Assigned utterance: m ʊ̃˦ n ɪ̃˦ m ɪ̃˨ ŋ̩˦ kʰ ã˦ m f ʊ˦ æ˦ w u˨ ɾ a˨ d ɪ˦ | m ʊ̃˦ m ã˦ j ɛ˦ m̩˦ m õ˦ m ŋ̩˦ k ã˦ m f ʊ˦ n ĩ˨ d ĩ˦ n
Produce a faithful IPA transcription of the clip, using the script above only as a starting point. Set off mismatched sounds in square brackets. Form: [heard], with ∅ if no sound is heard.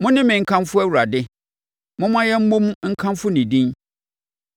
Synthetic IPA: m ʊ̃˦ n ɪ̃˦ m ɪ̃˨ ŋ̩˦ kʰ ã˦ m f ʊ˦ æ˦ w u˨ ɾ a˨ d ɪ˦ | m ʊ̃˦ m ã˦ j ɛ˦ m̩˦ m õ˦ m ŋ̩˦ [kʰ] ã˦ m f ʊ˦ n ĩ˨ d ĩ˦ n